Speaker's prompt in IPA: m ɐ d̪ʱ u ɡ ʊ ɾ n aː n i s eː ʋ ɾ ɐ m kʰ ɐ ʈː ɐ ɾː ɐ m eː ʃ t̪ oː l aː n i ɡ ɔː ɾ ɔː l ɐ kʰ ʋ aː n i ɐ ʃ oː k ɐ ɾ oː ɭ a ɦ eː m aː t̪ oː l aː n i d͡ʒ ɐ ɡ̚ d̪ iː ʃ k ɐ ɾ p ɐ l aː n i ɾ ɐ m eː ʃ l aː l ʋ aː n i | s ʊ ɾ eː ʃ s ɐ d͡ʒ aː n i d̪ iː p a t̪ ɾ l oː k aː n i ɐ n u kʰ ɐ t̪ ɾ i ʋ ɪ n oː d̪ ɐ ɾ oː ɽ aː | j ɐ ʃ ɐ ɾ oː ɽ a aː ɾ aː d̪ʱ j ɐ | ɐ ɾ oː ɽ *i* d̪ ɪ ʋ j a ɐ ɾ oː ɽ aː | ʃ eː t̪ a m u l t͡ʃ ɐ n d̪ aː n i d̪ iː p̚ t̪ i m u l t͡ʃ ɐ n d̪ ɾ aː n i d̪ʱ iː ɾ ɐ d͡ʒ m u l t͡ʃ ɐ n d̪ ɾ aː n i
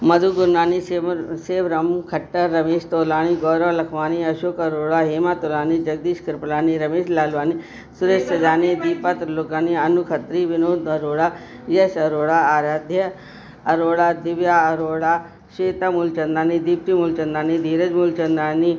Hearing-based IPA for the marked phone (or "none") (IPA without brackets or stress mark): a